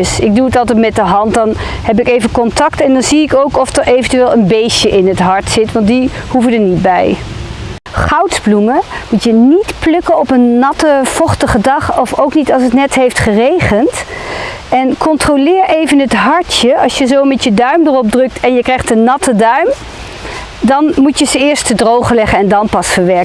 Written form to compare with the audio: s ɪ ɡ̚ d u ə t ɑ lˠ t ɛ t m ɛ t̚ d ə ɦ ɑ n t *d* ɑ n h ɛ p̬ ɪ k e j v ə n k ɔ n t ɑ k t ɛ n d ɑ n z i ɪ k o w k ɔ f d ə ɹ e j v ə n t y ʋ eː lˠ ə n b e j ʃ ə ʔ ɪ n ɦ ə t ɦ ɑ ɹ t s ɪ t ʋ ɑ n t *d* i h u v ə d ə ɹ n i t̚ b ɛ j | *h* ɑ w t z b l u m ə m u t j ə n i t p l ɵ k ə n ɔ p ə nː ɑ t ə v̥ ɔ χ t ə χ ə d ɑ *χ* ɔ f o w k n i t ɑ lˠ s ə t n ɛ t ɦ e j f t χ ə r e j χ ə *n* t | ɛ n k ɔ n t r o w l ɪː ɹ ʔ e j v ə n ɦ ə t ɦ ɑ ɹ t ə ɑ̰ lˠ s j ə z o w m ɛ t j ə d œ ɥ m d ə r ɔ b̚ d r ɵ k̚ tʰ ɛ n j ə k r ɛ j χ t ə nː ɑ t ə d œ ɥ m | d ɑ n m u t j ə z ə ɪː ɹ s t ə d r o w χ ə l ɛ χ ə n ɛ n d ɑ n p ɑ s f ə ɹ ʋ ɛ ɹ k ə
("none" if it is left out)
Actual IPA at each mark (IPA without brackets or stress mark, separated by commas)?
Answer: d, d, χ, χ, n